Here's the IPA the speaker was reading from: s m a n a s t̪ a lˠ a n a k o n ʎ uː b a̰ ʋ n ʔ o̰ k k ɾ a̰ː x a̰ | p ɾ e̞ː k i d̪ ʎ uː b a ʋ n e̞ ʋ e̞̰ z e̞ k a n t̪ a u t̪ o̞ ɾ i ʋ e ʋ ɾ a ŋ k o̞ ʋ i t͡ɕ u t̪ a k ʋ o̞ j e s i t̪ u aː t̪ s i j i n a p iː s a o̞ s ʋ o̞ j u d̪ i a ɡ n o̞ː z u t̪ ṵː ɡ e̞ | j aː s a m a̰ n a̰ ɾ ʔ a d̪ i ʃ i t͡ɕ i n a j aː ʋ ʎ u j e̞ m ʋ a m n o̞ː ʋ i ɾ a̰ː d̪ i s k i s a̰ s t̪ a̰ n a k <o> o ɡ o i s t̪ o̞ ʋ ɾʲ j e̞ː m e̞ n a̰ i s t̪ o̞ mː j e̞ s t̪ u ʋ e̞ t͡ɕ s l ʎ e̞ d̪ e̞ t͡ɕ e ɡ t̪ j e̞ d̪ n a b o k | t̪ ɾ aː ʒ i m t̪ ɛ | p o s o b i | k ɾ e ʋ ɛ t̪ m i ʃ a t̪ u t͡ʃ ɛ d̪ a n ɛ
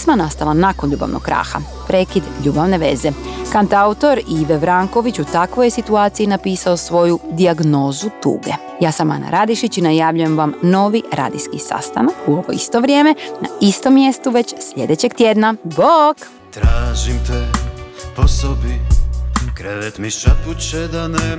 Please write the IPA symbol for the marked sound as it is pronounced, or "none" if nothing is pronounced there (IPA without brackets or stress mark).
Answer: u